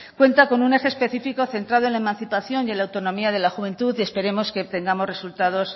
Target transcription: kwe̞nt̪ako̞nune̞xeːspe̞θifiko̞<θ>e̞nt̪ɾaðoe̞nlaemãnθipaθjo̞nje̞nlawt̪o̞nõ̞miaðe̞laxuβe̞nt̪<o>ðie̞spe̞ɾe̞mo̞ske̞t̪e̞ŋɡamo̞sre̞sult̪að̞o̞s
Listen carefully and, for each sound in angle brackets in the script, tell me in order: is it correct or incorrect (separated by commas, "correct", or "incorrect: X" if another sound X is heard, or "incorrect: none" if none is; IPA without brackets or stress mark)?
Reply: correct, incorrect: u